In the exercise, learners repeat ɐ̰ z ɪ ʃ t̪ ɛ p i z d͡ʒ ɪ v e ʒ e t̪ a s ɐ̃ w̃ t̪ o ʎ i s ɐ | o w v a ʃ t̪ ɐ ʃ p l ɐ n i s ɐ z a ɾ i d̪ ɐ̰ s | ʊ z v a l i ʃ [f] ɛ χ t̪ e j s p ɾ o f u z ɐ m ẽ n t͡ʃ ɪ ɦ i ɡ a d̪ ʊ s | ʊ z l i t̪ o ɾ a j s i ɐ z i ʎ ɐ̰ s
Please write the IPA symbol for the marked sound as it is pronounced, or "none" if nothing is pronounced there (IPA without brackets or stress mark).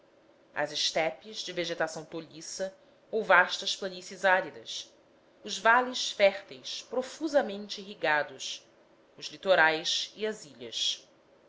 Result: f